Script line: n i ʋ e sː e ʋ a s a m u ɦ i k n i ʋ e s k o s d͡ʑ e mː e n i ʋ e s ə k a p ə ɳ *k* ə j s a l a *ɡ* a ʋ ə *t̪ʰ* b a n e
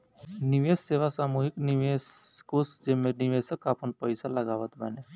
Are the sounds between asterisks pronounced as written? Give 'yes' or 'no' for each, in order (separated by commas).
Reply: no, yes, no